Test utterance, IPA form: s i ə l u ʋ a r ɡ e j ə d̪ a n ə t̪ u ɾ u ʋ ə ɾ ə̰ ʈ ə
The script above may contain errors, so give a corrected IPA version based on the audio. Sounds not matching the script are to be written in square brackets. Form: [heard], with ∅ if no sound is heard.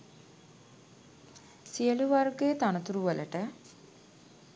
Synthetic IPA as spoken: s i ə l u ʋ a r ɡ e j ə [t̪] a n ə t̪ u ɾ u ʋ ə [l] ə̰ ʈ ə